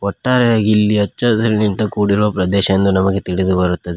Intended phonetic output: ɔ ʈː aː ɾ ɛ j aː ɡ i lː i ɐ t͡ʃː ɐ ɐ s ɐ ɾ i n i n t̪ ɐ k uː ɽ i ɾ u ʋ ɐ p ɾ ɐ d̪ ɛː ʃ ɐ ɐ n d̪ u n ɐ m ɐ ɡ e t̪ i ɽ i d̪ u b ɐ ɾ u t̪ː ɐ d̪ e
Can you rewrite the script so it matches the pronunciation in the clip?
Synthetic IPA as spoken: ɔ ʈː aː ɾ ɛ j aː ɡ i lː i ɐ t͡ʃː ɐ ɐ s ɐ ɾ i n i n t̪ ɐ k uː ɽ i ɾ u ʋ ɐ p ɾ ɐ d̪ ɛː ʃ ɐ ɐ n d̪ u n ɐ m ɐ ɡ e t̪ i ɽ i d̪ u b ɐ ɾ u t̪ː ɐ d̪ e